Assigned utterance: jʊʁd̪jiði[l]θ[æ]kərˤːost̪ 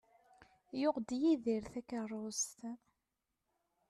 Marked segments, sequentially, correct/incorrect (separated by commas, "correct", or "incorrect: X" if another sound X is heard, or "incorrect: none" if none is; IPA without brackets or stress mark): incorrect: ɾ, correct